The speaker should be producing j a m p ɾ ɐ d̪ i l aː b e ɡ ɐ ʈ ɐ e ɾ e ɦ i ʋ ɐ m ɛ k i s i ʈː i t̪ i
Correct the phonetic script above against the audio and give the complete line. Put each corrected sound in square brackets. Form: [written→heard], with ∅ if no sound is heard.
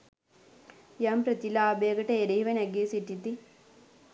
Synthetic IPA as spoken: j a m p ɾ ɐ [d̪→t̪] i l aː b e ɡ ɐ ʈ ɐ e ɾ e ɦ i ʋ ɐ [m→n] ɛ [k→ɡ] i s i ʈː i t̪ i